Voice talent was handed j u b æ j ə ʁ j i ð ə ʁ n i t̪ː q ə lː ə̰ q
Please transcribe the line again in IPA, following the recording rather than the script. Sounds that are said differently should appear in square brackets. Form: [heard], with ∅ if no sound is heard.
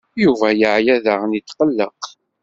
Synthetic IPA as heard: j u [v] æ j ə [ʕ] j [æ] ð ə ʁ n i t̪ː q ə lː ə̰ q